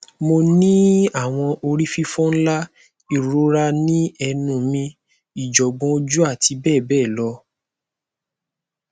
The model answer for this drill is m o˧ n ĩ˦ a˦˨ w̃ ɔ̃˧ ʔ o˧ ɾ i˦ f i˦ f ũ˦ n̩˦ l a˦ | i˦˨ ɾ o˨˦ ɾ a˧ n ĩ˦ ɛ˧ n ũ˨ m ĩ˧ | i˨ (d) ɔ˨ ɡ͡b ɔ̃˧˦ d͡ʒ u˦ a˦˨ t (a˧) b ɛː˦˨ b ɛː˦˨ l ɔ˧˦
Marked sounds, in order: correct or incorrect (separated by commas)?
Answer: incorrect, incorrect